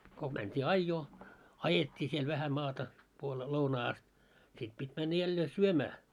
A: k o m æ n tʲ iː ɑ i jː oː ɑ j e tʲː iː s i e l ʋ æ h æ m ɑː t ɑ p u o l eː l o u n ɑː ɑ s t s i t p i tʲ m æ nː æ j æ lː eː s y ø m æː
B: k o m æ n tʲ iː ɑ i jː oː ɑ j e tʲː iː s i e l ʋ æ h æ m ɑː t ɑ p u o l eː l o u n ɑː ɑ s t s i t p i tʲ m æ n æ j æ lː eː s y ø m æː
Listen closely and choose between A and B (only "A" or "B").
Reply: A